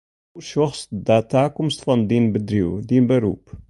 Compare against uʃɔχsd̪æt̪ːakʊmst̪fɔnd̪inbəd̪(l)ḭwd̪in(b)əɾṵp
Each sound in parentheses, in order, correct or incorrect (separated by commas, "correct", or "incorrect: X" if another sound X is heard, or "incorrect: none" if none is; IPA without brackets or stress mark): incorrect: ɾ, correct